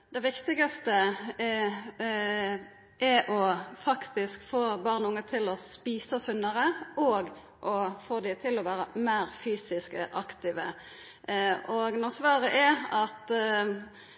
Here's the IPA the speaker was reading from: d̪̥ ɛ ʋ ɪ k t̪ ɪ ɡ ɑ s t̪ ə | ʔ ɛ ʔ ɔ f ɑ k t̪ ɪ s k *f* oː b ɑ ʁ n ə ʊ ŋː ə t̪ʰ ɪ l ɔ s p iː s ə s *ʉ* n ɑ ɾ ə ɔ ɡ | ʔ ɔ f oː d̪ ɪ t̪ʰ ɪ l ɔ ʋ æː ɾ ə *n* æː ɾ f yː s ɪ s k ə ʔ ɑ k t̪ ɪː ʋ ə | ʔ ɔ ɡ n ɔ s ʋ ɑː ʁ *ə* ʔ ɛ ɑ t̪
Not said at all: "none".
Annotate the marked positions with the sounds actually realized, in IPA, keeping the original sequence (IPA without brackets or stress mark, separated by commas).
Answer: f, ʉ, m, ə